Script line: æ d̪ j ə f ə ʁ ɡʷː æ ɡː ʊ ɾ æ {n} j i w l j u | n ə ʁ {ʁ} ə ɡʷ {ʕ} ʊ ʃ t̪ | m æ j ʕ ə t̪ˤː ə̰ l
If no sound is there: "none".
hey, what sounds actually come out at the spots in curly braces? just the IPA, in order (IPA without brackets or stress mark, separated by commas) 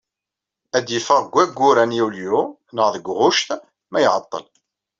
n, ð, ʁ